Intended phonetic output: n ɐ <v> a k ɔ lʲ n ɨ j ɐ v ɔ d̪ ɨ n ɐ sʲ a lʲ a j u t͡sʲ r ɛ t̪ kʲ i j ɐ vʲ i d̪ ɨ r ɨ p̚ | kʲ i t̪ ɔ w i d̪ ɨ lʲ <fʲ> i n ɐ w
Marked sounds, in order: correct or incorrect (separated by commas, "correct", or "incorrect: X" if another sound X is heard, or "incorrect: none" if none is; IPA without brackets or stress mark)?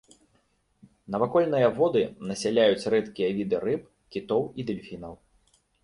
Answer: correct, correct